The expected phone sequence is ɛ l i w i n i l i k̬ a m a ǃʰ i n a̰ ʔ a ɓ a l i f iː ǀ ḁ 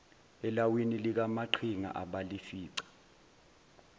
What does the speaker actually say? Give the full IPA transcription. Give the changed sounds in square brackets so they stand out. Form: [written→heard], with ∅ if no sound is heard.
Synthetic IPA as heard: ɛ l [i→a] w i n i l i k̬ a m a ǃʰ i [n→ŋ] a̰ ʔ a ɓ a l i f iː ǀ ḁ